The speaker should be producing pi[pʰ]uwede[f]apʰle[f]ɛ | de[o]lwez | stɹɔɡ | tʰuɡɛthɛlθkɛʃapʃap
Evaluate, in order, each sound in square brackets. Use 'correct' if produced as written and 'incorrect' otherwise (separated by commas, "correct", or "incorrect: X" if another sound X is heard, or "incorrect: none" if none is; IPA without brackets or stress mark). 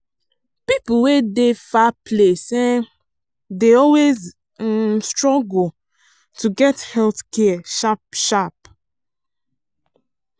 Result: incorrect: p, correct, incorrect: s, incorrect: ɔ